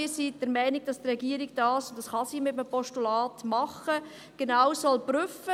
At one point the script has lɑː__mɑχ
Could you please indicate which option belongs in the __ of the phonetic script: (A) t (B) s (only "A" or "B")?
A